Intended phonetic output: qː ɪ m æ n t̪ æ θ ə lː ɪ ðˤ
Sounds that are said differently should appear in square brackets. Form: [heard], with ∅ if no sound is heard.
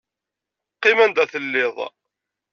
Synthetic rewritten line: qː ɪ m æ n [d̪] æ θ ə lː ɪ ðˤ